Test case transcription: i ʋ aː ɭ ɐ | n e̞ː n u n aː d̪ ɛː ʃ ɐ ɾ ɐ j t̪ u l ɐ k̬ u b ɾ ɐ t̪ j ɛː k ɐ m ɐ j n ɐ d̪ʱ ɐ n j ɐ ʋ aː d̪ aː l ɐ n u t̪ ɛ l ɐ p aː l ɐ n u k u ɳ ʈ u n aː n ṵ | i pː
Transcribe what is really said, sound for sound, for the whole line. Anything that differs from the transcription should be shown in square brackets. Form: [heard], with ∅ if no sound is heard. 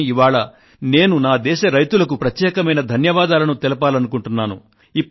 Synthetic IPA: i ʋ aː ɭ ɐ | n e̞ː n u n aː d̪ ɛː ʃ ɐ ɾ ɐ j t̪ u l ɐ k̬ u [p] ɾ ɐ t̪ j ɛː k ɐ m ɐ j n ɐ d̪ʱ ɐ n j ɐ ʋ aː d̪ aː l ɐ n u t̪ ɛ l ɐ p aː l ɐ n u k u ɳ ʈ u [nː] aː n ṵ | i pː

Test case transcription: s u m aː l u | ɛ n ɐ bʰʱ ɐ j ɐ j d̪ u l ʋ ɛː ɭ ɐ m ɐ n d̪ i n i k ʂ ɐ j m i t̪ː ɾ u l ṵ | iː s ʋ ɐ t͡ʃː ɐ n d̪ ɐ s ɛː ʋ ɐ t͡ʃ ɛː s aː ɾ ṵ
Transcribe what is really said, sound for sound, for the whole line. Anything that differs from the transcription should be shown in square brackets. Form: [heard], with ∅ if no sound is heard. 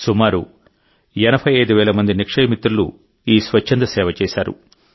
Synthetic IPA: s u m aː [ɾ] u | ɛ n ɐ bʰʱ ɐ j ɐ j d̪ u [∅] ʋ ɛː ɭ ɐ m ɐ n d̪ i n i k ʂ ɐ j m i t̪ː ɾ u l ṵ | iː s ʋ ɐ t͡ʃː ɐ n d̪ ɐ s ɛː ʋ ɐ t͡ʃ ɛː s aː ɾ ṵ

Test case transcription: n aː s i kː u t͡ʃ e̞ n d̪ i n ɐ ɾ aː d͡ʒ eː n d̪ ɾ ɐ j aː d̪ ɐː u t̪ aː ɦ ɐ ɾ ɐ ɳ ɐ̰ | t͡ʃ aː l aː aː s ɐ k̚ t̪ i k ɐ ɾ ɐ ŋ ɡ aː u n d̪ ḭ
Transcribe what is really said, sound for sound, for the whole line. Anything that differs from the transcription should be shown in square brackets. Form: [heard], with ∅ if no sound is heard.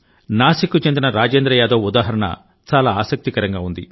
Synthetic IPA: n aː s i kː u t͡ʃ e̞ n d̪ i n ɐ ɾ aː d͡ʒ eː n d̪ ɾ ɐ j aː d̪ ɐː u [d̪] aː ɦ ɐ ɾ ɐ ɳ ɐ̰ | t͡ʃ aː l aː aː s ɐ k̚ t̪ i k ɐ ɾ ɐ ŋ ɡ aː u n d̪ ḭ

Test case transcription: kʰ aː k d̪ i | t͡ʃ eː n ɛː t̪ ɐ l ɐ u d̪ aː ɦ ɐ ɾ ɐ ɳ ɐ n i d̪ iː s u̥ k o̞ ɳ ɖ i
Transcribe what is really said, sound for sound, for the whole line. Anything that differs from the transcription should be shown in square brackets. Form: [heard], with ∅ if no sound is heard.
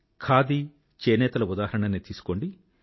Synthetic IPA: kʰ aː [∅] d̪ i | t͡ʃ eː n ɛː t̪ ɐ l ɐ u d̪ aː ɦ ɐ ɾ ɐ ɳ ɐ n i [t̪] iː s u̥ k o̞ ɳ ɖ i

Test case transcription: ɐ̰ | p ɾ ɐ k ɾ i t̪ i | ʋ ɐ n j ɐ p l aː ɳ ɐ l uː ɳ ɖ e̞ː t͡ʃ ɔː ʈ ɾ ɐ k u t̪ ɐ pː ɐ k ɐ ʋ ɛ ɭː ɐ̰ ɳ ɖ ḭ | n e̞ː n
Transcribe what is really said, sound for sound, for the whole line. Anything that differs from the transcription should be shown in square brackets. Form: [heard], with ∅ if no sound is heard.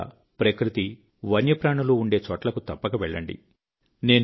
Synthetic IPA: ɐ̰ | p ɾ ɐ k ɾ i t̪ i | ʋ ɐ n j ɐ p [ɾ] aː ɳ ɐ l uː ɳ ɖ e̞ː t͡ʃ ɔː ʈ [l] ɐ k u t̪ ɐ pː ɐ k ɐ ʋ ɛ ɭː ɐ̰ ɳ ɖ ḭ | n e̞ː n

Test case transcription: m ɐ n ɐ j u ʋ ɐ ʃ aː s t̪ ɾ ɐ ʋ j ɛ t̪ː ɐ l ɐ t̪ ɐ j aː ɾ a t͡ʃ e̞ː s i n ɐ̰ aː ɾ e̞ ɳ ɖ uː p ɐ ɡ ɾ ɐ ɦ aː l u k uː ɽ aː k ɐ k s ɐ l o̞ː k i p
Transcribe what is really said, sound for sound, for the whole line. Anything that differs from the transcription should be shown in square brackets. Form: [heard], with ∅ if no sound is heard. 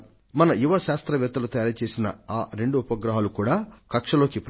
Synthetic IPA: m ɐ n ɐ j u ʋ ɐ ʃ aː s t̪ ɾ ɐ ʋ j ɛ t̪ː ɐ l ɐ t̪ ɐ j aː ɾ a t͡ʃ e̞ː s i n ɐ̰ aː ɾ e̞ ɳ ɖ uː p ɐ ɡ ɾ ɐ ɦ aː l u k uː ɽ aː k ɐ k [ʂ] ɐ l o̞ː k i p

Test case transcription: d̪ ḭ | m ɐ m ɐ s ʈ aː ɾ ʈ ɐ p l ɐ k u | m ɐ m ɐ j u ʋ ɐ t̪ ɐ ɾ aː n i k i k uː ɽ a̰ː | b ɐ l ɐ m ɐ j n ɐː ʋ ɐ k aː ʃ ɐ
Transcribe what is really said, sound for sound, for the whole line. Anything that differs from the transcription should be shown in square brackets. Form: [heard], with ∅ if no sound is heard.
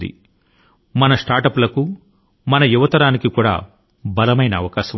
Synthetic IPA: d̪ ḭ | m ɐ [n] ɐ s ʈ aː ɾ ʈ ɐ p l ɐ k u | m ɐ [n] ɐ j u ʋ ɐ t̪ ɐ ɾ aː n i k i k uː ɽ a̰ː | b ɐ l ɐ m ɐ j n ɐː ʋ ɐ k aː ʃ ɐ

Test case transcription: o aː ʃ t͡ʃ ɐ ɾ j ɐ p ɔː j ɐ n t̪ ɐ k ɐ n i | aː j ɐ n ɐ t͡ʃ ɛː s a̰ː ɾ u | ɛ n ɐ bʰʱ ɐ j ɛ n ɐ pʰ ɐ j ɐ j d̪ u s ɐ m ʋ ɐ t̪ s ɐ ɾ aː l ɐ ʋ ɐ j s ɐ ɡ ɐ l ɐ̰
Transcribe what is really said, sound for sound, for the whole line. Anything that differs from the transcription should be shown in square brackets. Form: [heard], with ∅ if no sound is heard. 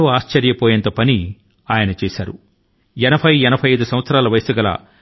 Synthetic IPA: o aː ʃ t͡ʃ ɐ ɾ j ɐ p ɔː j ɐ n t̪ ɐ [p] ɐ n i | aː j ɐ n ɐ t͡ʃ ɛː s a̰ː ɾ u | ɛ n ɐ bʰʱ ɐ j ɛ n ɐ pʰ ɐ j ɐ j d̪ u s ɐ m ʋ ɐ t̪ s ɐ ɾ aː l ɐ ʋ ɐ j s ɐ ɡ ɐ l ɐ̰

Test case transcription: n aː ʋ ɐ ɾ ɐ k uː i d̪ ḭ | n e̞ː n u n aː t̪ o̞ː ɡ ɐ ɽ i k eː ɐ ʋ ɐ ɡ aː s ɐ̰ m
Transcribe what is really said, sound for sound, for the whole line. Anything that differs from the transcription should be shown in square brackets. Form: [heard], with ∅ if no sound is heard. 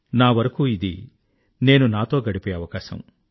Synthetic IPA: n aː ʋ ɐ ɾ ɐ k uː i d̪ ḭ | n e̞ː n u n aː t̪ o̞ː ɡ ɐ ɽ i [p] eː ɐ ʋ ɐ [k] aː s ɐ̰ m

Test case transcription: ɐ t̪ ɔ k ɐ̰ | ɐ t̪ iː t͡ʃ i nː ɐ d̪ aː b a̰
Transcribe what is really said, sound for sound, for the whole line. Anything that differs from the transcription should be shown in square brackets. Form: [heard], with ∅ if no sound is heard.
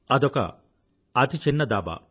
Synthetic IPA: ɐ [d̪] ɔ k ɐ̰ | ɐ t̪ [i] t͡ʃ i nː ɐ d̪ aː b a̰

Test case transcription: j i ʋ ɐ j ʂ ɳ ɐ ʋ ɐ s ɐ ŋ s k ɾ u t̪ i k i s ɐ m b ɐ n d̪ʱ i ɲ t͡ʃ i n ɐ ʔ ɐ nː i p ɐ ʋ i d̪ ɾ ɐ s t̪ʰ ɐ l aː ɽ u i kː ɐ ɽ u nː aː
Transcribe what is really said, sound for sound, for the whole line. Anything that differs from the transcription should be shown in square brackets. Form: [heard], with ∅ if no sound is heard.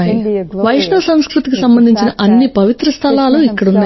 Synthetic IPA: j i ʋ ɐ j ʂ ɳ ɐ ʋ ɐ s ɐ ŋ s k ɾ u t̪ i k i s ɐ m b ɐ n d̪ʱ i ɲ t͡ʃ i n ɐ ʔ ɐ nː i p ɐ ʋ i [t̪] ɾ ɐ s t̪ʰ ɐ l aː [l] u i kː ɐ ɽ u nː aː

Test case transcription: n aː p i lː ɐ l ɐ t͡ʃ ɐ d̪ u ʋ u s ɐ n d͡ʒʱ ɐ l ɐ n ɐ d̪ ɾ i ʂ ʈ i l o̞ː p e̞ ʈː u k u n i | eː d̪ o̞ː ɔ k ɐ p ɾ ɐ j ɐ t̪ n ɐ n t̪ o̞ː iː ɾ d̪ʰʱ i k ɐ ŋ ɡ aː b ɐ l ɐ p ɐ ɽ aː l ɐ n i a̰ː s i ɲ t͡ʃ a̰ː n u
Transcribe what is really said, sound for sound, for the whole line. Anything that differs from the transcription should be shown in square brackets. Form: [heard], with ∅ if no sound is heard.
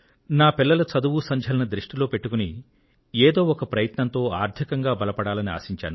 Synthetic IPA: n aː p i lː ɐ l ɐ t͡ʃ ɐ d̪ u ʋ u s ɐ [ɲ] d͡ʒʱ ɐ l ɐ n ɐ d̪ ɾ i ʂ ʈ i l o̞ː p e̞ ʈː u k u n i | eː d̪ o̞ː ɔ k ɐ p ɾ ɐ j ɐ t̪ n ɐ n t̪ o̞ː [aː] ɾ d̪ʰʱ i k ɐ ŋ ɡ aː b ɐ l ɐ p ɐ ɽ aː l ɐ n i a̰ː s i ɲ t͡ʃ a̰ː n u

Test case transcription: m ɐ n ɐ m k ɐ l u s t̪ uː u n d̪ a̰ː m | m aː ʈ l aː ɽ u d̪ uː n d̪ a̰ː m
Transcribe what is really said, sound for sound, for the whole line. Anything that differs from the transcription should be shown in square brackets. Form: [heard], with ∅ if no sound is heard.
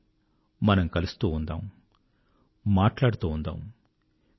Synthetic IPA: m ɐ n ɐ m k ɐ l u s t̪ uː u n d̪ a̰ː m | m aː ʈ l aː ɽ u [t̪] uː n d̪ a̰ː m

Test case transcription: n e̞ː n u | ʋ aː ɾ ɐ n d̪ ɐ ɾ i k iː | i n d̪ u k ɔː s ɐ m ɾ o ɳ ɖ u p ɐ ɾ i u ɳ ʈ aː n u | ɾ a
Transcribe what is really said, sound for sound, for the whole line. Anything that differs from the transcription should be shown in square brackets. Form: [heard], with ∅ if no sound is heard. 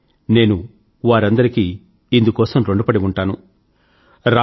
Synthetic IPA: n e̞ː n u | ʋ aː ɾ ɐ n d̪ ɐ ɾ i k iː | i n d̪ u k ɔː s ɐ m ɾ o ɳ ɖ u p ɐ [ɽ] i u ɳ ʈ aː n u | ɾ a

